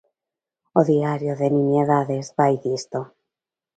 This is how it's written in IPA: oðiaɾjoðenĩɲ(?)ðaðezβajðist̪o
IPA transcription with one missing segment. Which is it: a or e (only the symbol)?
e